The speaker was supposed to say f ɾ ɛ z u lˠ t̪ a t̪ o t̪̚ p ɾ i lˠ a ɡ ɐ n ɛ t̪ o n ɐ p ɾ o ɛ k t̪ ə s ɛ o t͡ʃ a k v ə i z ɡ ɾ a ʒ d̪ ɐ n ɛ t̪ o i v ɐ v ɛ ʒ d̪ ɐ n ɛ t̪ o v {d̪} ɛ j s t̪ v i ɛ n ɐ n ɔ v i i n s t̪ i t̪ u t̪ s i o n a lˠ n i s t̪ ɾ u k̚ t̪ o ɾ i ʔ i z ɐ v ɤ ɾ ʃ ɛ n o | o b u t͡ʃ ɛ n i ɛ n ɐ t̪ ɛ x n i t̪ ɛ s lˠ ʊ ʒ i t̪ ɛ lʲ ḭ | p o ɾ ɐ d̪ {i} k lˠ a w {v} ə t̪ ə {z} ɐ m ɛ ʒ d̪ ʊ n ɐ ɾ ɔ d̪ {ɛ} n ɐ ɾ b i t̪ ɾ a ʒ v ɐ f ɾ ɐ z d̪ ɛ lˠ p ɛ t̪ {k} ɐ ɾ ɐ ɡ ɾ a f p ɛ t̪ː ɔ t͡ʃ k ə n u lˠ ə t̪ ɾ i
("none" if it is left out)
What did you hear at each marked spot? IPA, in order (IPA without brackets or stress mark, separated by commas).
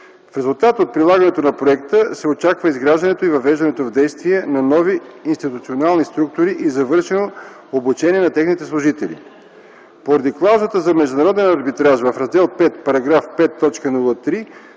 d̪, i, z, z, ɛ, p